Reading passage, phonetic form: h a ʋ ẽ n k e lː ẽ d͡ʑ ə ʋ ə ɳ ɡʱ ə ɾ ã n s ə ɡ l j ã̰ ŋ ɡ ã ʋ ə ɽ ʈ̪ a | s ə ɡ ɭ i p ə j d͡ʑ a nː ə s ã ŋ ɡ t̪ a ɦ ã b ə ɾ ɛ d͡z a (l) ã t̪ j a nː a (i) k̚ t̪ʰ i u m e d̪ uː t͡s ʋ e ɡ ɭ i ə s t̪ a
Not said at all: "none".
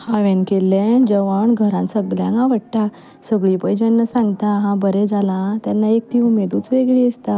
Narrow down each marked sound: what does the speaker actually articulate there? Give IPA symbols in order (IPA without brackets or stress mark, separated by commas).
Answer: l, e